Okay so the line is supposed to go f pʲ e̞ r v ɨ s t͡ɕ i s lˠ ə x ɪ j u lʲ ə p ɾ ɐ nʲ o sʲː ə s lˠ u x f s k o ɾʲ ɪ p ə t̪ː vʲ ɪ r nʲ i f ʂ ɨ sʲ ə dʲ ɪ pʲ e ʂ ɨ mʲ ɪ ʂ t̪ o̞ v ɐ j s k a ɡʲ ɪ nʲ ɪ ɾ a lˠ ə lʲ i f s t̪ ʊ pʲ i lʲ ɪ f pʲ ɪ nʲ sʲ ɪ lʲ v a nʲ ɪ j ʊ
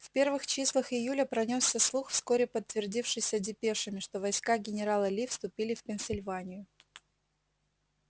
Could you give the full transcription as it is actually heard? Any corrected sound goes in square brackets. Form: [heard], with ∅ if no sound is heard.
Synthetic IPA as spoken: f pʲ e̞ r v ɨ [x] t͡ɕ i s lˠ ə x ɪ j u lʲ ə p ɾ ɐ nʲ o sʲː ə s lˠ u x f s k o ɾʲ ɪ p ə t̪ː vʲ ɪ r [dʲ] i f ʂ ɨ sʲ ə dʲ ɪ pʲ e ʂ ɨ mʲ ɪ ʂ t̪ o̞ v ɐ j s k a ɡʲ ɪ nʲ ɪ ɾ a lˠ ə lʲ i f s t̪ ʊ pʲ i lʲ ɪ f pʲ ɪ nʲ sʲ ɪ lʲ v a nʲ ɪ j ʊ